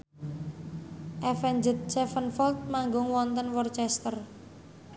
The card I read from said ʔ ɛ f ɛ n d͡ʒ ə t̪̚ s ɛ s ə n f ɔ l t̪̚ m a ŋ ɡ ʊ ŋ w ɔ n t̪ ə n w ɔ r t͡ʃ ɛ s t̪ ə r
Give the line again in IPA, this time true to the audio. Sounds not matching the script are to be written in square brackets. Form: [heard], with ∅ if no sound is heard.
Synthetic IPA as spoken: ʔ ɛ f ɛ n d͡ʒ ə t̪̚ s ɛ [f] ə n f ɔ l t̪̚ m a ŋ ɡ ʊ ŋ w ɔ n t̪ ə n w ɔ r t͡ʃ ɛ s t̪ ə r